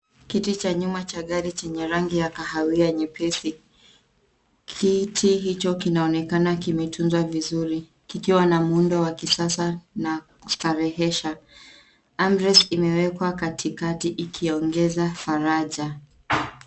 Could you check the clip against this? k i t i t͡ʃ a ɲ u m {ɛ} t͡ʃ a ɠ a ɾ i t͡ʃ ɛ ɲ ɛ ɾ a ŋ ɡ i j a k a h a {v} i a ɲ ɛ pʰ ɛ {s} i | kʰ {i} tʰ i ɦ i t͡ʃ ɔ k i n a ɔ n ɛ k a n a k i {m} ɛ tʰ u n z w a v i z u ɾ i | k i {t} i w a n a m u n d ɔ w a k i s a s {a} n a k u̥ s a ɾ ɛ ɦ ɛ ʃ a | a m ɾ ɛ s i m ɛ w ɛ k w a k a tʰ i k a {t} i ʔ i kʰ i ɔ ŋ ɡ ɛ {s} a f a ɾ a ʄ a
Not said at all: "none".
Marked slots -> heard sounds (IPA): a, w, s, i, m, k, a, t, z

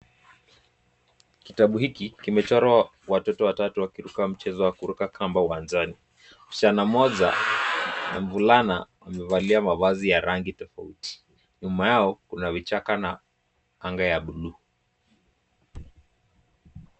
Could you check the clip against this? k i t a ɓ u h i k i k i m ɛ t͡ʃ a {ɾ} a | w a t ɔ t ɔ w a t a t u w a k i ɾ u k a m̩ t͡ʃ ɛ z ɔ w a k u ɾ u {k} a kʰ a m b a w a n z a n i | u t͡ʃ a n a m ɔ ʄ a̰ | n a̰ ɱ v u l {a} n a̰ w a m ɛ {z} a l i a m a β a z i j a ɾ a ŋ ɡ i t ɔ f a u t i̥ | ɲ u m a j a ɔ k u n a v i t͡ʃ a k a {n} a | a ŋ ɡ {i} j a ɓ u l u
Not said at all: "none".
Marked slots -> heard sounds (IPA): ɾ, k, a, v, n, a

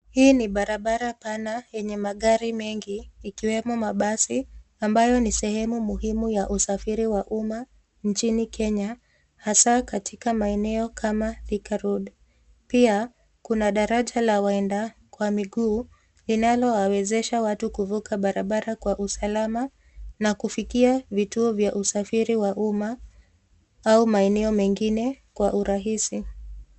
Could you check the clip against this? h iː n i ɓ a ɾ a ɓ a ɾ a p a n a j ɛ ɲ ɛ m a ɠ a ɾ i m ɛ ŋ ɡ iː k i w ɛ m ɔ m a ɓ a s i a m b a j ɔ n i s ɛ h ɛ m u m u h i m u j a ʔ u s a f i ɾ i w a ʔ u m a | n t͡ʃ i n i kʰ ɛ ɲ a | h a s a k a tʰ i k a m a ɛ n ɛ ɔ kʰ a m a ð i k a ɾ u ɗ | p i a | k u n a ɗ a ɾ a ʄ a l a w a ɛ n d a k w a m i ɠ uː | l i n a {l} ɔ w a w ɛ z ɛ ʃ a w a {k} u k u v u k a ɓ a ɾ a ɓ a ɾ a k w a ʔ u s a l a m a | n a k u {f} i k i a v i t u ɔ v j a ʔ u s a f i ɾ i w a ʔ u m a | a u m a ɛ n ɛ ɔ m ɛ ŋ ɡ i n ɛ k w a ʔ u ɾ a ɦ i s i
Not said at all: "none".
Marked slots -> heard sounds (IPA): l, t, f

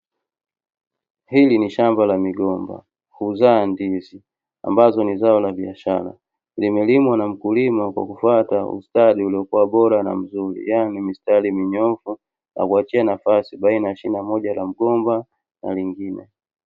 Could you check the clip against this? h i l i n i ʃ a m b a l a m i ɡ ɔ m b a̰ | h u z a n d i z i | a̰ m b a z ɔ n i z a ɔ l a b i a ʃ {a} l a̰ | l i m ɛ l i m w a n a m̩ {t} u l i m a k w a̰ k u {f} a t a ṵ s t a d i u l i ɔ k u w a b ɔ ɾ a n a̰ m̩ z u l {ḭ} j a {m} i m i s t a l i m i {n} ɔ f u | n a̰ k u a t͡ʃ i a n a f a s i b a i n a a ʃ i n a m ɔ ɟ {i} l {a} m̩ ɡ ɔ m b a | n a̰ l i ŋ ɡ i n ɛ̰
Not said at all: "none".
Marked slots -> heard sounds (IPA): a, k, f, ḭ, n, ɲ, a, a

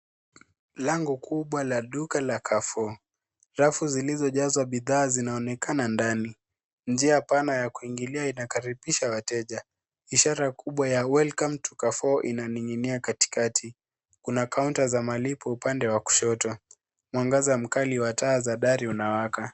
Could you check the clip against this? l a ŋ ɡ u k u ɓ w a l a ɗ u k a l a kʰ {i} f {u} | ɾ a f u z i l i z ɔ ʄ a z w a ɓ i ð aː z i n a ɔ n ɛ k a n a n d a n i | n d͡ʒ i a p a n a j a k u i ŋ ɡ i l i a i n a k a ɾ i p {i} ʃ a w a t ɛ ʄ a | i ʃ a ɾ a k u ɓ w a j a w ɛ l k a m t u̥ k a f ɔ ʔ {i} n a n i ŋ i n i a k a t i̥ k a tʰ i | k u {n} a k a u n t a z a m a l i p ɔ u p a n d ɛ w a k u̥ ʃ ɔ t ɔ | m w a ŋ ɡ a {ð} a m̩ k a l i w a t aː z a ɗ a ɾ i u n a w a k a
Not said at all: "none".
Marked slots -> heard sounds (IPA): a, ɔ, i, i, n, z

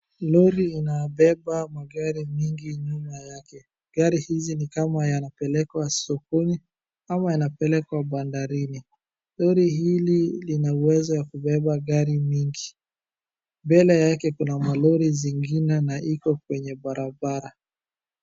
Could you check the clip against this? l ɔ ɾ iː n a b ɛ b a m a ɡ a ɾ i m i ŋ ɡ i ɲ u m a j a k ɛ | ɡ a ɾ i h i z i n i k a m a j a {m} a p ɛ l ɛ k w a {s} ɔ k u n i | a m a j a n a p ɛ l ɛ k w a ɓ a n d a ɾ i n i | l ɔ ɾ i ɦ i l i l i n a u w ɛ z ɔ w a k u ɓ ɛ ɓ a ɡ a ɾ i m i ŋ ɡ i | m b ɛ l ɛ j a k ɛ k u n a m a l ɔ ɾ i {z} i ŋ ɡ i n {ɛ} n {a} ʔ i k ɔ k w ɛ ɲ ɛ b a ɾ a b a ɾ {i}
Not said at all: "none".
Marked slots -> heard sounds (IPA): n, s, z, ɛ, a, a

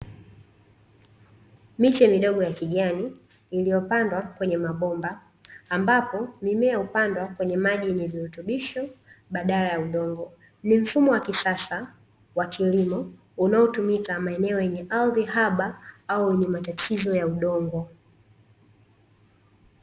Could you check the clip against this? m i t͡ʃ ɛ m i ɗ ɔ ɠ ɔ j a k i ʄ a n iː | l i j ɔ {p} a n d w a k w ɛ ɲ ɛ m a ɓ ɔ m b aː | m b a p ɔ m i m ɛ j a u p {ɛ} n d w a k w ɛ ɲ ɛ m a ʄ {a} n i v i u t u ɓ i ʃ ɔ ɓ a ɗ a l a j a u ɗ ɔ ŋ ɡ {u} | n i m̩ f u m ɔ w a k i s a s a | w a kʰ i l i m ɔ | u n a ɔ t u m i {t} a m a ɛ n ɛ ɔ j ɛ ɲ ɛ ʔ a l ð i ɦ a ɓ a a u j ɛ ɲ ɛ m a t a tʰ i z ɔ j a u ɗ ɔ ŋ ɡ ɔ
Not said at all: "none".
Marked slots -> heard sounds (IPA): p, a, i, ɔ, k

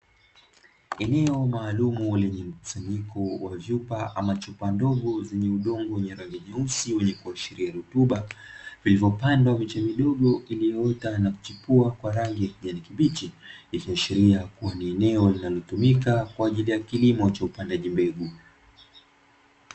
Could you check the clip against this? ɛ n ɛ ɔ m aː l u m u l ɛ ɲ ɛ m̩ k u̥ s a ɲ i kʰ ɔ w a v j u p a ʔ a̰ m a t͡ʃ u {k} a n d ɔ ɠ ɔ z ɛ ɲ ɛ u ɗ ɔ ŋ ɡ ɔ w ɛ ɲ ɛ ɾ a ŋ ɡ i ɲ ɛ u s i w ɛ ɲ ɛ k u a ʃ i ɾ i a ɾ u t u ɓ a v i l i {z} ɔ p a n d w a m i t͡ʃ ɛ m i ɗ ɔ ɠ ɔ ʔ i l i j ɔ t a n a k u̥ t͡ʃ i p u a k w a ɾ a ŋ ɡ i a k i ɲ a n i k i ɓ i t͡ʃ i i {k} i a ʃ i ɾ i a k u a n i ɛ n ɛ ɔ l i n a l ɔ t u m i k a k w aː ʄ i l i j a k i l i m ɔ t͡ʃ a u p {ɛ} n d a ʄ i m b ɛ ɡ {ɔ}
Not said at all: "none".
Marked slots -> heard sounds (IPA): p, v, k, a, u

